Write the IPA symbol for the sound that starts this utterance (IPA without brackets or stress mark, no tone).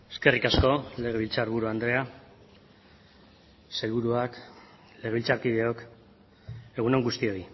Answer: e̞